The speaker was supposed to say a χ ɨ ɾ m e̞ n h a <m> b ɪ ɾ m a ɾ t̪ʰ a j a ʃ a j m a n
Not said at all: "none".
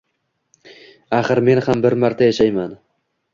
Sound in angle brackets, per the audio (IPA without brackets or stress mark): m